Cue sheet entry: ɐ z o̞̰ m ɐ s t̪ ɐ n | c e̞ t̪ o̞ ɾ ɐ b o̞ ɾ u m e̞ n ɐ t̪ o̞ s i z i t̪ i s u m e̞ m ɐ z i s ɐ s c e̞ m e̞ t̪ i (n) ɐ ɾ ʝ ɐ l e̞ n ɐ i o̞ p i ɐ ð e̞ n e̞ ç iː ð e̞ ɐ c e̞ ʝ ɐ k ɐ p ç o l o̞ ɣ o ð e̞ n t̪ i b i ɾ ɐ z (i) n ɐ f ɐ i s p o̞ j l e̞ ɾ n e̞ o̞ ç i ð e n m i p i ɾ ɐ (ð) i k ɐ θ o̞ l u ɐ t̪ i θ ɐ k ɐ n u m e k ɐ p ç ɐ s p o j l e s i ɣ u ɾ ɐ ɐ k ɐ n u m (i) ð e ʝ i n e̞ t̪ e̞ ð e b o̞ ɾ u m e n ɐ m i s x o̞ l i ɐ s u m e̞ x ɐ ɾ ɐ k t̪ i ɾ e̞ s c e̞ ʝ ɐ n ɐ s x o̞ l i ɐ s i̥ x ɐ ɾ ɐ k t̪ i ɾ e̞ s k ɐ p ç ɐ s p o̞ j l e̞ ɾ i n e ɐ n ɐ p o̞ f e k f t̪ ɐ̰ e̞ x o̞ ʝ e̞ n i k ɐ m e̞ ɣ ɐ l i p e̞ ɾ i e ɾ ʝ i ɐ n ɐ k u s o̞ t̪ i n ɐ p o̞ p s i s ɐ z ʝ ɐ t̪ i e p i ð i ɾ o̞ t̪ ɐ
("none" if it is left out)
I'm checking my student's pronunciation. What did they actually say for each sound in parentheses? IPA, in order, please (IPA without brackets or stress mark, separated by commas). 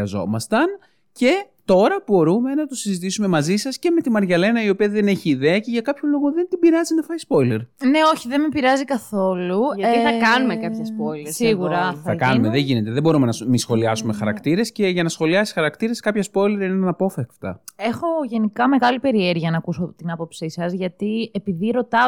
m, i, z, e